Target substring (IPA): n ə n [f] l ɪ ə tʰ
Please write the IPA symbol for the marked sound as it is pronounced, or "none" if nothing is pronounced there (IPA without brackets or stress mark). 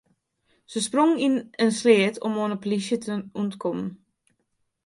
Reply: s